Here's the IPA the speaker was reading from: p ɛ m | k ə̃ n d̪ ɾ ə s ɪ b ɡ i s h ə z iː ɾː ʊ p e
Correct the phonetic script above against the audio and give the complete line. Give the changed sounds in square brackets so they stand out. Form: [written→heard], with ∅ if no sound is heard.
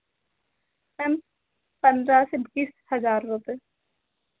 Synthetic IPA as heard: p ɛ m | [k→p] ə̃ n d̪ ɾ [ə→a] s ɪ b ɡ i s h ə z [iː→aː] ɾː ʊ p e